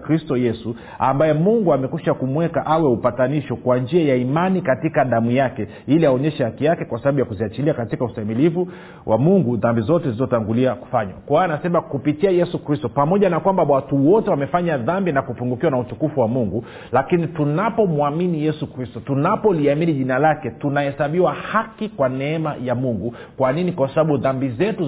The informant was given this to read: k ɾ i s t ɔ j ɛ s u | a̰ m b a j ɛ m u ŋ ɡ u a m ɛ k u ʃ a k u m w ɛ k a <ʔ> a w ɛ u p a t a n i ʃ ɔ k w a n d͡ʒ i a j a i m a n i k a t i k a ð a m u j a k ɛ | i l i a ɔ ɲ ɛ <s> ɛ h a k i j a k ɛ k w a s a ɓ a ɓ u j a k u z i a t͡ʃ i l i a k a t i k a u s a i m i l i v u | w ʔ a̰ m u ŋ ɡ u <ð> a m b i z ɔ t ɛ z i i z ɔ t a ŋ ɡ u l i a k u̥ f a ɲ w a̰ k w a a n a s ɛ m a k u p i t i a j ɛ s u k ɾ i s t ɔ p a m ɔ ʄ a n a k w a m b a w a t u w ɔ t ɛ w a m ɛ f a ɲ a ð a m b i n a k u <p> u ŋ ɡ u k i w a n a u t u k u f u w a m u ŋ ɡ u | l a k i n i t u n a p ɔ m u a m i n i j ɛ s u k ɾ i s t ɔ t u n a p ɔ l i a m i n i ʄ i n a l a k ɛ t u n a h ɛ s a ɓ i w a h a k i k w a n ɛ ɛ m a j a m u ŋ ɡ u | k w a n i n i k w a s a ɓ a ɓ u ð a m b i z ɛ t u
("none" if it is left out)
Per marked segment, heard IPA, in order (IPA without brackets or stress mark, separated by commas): ʔ, ʃ, ð, p